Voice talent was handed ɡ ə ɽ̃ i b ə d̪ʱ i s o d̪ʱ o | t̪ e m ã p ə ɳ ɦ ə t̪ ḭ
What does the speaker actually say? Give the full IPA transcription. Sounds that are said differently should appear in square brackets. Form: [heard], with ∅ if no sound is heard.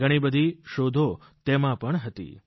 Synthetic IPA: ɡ ə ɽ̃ i b ə d̪ʱ i [ʃ] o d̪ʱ o | t̪ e m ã p ə ɳ ɦ ə t̪ ḭ